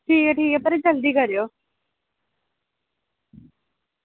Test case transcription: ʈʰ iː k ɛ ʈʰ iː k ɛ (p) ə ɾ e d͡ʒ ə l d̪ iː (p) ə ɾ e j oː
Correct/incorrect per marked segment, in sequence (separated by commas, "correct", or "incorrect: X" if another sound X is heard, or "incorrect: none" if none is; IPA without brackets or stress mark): correct, incorrect: k